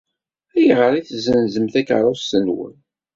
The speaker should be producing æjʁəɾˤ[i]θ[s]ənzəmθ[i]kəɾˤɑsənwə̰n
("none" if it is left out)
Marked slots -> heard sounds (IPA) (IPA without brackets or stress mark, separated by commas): i, z, æ